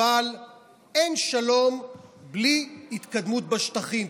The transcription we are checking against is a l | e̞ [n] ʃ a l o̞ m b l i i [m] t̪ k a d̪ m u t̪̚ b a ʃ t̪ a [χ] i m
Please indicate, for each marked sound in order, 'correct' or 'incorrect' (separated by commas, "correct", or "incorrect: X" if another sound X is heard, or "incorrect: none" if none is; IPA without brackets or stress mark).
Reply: correct, incorrect: none, correct